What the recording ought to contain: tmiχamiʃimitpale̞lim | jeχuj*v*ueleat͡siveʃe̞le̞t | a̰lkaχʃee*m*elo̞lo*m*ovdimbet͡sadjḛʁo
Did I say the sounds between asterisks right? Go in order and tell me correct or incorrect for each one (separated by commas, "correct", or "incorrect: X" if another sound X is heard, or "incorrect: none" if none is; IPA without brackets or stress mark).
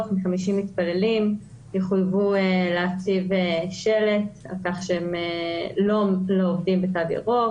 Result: correct, correct, incorrect: none